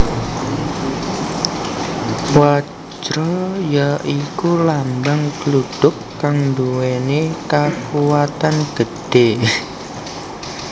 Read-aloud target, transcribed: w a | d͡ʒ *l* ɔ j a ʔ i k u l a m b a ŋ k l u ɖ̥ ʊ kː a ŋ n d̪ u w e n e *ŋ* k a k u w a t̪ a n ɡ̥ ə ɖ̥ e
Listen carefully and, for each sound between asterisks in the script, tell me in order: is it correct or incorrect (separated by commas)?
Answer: incorrect, incorrect